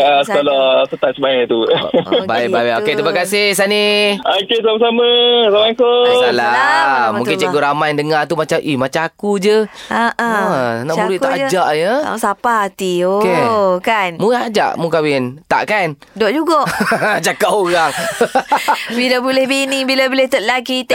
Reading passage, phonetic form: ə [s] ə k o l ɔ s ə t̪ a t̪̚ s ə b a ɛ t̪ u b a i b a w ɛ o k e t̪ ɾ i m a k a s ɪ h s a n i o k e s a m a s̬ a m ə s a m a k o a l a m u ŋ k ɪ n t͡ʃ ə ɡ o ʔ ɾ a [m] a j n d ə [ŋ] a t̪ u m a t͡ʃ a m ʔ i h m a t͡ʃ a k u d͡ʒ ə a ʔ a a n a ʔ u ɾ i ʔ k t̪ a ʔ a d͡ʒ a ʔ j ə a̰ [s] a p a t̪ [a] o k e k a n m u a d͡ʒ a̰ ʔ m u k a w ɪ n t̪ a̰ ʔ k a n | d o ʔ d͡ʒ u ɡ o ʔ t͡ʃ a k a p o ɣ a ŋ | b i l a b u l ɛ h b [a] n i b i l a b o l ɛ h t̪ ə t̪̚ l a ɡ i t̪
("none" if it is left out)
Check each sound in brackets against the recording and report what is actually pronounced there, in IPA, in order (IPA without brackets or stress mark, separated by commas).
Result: s, m, ŋ, s, i, i